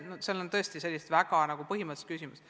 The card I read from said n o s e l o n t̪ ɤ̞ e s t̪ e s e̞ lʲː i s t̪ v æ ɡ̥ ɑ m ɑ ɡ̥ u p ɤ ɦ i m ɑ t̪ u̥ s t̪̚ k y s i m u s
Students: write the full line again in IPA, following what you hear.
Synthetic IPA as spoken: n o s e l o n t̪ ɤ̞ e s t̪ i s e̞ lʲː i s t̪ v æ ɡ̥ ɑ n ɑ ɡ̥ u p ɤ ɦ i m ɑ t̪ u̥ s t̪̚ k y s i m u s